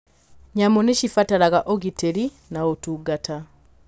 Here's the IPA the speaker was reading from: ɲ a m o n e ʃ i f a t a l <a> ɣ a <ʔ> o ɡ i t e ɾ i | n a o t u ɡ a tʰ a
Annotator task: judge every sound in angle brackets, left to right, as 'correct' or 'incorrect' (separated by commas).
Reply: correct, correct